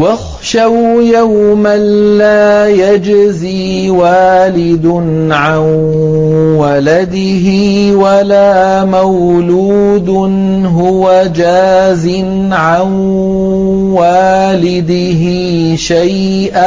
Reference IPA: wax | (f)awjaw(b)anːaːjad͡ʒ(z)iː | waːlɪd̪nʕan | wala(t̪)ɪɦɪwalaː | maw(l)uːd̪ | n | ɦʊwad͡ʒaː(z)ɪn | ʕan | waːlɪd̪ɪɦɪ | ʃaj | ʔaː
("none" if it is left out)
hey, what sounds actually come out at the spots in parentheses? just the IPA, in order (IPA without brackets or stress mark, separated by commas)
ʃ, m, z, d̪, l, z